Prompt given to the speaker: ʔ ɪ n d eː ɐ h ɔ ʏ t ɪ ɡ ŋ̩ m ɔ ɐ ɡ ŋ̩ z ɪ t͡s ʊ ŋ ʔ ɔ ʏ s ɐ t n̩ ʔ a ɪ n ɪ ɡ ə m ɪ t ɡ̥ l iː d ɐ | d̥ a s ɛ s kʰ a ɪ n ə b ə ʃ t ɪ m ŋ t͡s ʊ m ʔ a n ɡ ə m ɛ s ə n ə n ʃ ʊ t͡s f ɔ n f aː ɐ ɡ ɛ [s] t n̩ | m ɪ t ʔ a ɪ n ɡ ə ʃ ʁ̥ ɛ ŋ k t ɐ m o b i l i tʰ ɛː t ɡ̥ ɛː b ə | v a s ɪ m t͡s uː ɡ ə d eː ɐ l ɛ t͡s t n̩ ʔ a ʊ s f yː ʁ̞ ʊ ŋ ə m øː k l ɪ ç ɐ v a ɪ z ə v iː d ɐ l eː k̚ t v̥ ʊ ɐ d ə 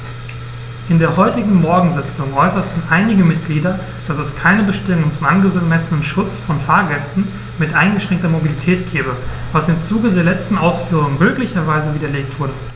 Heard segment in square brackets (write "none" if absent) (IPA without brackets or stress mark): s